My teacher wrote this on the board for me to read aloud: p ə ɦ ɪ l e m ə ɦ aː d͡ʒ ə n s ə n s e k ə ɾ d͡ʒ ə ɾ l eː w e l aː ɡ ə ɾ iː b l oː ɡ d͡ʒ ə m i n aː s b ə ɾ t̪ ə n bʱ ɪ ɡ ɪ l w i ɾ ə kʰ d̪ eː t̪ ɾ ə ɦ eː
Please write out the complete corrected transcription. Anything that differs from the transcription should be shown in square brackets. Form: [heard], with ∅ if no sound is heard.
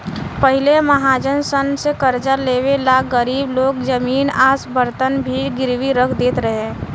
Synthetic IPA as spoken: p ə ɦ ɪ l e m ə ɦ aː d͡ʒ ə n s ə n s e k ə ɾ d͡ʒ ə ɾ l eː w e l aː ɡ ə ɾ iː b l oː ɡ d͡ʒ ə m [iː] n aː s b ə ɾ t̪ ə n bʱ [i] ɡ ɪ [ɾ] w i ɾ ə kʰ d̪ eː t̪ ɾ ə ɦ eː